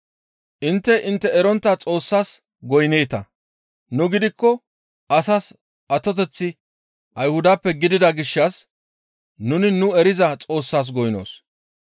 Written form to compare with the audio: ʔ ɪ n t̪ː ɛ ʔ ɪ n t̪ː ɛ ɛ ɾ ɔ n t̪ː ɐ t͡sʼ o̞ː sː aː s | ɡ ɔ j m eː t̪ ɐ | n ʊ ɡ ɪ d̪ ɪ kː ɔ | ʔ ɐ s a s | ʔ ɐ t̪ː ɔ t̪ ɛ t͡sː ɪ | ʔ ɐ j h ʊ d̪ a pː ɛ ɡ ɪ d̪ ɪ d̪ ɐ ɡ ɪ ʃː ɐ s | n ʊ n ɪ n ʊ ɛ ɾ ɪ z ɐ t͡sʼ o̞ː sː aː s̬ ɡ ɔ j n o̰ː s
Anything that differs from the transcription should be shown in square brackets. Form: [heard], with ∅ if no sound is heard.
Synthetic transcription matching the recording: ʔ ɪ n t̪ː ɛ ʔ ɪ n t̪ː ɛ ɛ ɾ ɔ n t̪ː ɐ t͡sʼ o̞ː sː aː s | ɡ ɔ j [n] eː t̪ ɐ | n ʊ ɡ ɪ d̪ ɪ kː ɔ | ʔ ɐ s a s | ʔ ɐ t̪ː ɔ t̪ ɛ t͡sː ɪ | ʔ ɐ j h ʊ d̪ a pː ɛ ɡ ɪ d̪ ɪ d̪ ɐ ɡ ɪ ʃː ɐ s | n ʊ n ɪ n ʊ ɛ ɾ ɪ z ɐ t͡sʼ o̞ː sː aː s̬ ɡ ɔ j n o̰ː s